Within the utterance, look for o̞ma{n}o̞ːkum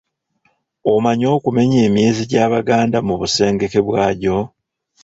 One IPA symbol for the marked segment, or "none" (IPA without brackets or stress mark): ɲ